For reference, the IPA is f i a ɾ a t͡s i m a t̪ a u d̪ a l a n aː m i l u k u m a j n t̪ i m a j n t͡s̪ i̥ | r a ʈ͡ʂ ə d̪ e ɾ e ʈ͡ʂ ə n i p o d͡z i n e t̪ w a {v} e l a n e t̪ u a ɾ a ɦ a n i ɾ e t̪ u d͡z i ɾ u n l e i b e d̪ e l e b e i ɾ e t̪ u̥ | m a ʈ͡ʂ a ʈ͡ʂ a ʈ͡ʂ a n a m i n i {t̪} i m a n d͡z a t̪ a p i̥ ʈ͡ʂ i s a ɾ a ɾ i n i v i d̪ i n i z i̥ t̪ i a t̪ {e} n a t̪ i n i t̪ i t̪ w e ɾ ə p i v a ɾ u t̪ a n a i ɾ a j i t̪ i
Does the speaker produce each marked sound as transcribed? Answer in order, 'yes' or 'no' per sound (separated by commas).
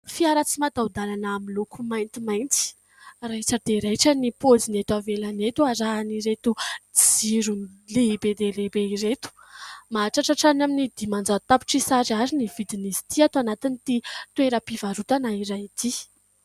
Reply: yes, no, no